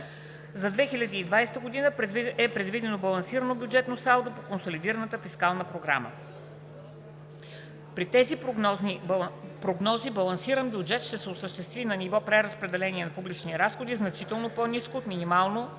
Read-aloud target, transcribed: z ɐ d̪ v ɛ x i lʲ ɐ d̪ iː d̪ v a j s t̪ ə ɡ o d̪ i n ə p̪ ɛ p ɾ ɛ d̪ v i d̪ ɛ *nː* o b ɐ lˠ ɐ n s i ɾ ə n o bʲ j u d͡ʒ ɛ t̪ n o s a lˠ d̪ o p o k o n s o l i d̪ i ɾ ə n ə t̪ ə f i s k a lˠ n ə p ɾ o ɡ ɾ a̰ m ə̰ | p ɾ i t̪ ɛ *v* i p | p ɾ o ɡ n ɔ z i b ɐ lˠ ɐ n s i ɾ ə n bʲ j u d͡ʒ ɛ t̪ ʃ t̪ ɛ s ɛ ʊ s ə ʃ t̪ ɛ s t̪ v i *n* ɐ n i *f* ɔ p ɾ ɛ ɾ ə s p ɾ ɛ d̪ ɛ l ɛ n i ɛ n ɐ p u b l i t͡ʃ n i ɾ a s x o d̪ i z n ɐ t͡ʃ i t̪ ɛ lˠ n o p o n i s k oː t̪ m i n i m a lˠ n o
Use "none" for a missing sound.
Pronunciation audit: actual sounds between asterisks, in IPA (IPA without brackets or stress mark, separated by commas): n, z, n, v